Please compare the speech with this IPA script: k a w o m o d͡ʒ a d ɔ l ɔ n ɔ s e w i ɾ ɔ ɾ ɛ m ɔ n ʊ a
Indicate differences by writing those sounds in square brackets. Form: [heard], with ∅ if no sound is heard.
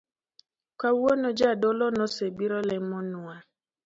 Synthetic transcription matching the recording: k a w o [n] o d͡ʒ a d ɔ l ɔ n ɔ s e [b] i ɾ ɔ [l] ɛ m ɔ n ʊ a